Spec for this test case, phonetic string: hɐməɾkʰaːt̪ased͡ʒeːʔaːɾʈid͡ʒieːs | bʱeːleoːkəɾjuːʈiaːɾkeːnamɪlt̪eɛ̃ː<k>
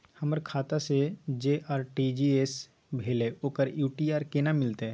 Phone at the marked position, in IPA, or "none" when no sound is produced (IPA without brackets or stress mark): none